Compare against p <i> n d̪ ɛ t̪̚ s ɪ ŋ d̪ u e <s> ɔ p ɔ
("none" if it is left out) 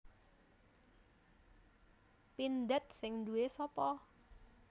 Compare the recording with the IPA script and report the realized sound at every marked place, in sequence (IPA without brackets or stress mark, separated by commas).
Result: i, s